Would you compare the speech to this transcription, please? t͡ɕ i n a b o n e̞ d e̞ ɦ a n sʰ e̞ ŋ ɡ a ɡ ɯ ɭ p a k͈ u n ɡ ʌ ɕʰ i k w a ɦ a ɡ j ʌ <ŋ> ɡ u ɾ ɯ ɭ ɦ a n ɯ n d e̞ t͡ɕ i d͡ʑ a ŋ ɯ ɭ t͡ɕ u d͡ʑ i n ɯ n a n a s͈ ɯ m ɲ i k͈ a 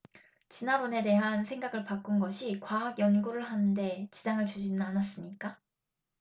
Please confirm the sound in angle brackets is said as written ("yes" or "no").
no